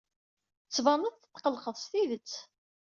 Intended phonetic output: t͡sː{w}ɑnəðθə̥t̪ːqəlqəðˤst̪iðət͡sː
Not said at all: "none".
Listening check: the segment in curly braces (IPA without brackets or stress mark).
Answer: v